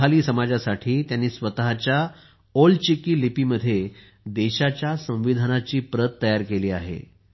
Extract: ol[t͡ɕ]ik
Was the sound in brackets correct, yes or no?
yes